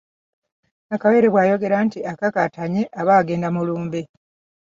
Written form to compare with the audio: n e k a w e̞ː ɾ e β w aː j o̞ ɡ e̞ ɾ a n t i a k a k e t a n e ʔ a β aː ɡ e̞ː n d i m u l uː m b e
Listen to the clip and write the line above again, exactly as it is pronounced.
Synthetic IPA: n a k a w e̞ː ɾ e β w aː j o̞ ɡ e̞ ɾ a n t i a k a k a t a ɲ e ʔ a β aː ɡ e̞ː n d a m u l uː m b e